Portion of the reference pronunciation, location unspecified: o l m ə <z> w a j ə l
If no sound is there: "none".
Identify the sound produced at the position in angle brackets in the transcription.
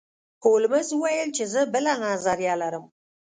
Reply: z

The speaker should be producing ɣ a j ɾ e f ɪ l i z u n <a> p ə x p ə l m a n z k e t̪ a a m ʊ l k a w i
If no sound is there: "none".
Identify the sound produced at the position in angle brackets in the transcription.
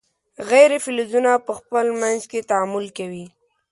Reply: a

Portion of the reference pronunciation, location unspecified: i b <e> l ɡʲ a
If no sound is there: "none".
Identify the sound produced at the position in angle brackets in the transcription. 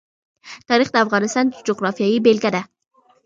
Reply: e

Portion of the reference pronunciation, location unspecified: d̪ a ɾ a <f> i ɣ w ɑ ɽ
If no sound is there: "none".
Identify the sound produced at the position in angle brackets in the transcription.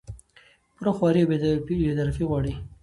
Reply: f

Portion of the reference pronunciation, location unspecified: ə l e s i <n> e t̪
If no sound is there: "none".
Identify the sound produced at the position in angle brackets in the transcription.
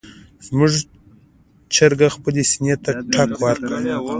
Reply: n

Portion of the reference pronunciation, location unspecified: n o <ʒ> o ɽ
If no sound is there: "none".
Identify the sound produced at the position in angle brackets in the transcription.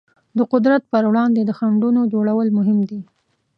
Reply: d͡ʒ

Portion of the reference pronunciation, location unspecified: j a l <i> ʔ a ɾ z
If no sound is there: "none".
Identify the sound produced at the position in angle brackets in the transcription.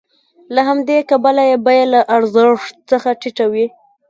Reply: a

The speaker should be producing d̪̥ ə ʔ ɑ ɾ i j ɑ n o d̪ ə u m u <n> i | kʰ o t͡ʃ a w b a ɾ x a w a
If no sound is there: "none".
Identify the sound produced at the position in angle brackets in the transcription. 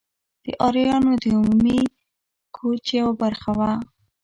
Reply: m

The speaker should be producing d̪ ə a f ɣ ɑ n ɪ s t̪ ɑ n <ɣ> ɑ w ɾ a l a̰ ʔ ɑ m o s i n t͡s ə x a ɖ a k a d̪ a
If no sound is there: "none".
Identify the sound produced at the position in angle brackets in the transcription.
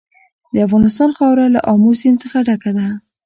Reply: x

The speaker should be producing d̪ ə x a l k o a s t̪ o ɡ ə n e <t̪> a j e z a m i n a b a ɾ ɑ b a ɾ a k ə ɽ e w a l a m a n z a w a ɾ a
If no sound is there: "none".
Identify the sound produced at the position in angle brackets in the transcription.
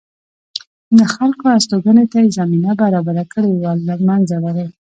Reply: t̪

